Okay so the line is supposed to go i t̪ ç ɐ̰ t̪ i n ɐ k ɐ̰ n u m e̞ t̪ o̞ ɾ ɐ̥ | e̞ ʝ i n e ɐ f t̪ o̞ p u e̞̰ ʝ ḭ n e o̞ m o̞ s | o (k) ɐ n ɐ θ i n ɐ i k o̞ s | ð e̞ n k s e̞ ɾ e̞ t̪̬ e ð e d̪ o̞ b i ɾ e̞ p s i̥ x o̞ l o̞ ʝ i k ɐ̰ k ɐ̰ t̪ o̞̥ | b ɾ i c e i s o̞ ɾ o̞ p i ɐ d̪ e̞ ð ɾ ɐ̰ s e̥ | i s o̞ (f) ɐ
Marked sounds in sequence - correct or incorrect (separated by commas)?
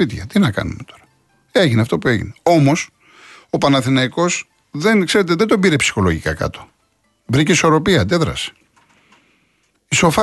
incorrect, correct